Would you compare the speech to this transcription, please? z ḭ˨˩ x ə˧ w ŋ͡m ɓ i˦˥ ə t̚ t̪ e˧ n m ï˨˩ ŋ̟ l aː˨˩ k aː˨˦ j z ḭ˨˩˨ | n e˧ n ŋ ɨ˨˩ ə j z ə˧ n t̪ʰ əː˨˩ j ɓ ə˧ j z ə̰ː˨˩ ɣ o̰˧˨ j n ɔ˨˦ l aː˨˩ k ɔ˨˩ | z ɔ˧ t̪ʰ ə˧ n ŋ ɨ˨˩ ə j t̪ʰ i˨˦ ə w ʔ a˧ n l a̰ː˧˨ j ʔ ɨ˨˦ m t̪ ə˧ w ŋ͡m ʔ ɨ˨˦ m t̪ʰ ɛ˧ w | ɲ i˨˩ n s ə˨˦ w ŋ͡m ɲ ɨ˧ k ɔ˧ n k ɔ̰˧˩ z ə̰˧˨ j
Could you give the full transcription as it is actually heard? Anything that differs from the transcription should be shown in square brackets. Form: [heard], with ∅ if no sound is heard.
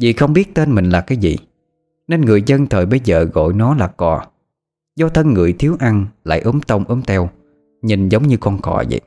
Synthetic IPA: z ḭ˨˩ x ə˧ w ŋ͡m ɓ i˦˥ ə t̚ t̪ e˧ n m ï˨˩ ŋ̟ l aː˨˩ k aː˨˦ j z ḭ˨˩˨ | n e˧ n ŋ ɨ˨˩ ə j z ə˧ n t̪ʰ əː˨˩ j ɓ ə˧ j z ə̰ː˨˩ ɣ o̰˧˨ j n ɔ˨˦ l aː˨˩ k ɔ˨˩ | z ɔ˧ t̪ʰ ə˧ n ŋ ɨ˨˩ ə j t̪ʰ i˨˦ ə w ʔ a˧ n l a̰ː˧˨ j ʔ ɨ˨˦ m t̪ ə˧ w ŋ͡m ʔ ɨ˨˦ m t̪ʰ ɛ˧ w | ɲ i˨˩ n [z] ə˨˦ w ŋ͡m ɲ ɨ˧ k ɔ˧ n k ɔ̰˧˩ z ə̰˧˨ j